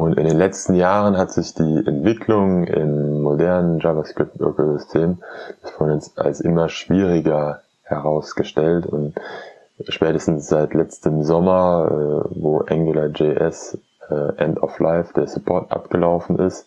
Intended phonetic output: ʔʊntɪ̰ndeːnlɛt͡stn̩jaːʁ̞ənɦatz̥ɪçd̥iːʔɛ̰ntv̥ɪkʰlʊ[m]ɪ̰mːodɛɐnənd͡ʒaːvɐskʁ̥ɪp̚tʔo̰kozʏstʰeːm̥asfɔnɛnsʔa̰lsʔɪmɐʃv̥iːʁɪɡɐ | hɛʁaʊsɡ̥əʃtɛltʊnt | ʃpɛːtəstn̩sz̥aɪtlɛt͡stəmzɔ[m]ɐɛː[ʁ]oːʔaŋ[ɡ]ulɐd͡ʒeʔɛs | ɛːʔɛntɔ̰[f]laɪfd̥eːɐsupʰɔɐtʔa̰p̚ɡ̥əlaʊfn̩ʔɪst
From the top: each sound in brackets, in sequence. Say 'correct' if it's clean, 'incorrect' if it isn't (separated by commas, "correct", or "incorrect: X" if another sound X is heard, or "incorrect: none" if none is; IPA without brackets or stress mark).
incorrect: ŋ, correct, incorrect: v, correct, correct